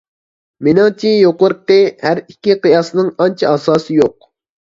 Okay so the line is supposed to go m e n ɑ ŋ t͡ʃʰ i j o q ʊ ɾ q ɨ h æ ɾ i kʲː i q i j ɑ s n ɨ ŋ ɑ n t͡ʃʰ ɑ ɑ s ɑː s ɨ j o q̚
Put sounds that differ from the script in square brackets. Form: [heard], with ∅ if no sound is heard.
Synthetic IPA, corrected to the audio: m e n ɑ ŋ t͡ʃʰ i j o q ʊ ɾ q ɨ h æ ɾ i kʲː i q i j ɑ s n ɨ ŋ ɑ n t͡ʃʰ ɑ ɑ s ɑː s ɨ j o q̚